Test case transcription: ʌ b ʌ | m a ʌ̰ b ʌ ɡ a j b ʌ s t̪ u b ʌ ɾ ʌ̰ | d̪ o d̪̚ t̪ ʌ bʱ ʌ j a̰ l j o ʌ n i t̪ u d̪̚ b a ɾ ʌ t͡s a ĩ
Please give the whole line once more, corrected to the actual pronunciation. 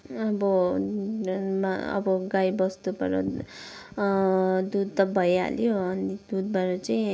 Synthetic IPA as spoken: ʌ b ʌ | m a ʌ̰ b ʌ ɡ a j b ʌ s t̪ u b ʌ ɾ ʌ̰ | d̪ u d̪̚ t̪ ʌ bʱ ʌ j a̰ l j o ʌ n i d̪ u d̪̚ b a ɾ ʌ t͡s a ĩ